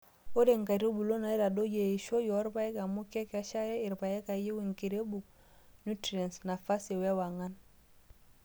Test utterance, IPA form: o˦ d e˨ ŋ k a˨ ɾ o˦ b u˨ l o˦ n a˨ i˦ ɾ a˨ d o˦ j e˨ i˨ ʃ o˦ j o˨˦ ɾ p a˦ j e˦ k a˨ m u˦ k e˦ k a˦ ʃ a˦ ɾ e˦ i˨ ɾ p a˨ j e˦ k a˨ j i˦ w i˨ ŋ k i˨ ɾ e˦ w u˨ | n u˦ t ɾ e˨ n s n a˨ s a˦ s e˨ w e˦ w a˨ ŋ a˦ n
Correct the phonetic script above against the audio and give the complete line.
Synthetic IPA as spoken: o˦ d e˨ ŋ k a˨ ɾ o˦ b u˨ l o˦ n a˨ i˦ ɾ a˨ d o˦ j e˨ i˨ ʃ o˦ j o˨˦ ɾ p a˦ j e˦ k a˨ m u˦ k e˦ k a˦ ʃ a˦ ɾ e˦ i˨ ɾ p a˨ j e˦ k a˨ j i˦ w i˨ ŋ k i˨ ɾ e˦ b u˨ | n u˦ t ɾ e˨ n s n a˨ f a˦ s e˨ w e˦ w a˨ ŋ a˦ n